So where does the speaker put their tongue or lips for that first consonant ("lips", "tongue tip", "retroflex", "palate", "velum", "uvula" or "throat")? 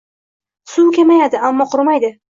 tongue tip